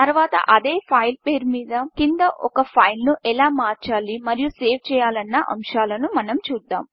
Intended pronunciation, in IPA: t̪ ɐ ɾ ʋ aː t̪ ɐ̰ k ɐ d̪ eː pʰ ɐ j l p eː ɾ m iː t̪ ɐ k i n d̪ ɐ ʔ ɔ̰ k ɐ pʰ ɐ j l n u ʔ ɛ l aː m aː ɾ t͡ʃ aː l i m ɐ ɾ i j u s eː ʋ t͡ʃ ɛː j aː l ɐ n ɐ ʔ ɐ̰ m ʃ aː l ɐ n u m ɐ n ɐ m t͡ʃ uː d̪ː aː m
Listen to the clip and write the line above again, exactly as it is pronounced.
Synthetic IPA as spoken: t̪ ɐ ɾ ʋ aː t̪ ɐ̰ ʔ ɐ d̪ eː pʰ ɐ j l p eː ɾ m iː d̪ ɐ k i n d̪ ɐ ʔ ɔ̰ k ɐ pʰ ɐ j l n u ʔ ɛ l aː m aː ɾ t͡ʃ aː l i m ɐ ɾ i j u s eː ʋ t͡ʃ ɛː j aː l ɐ nː ɐ ʔ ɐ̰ m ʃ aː l ɐ n u m ɐ n ɐ m t͡ʃ uː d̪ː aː m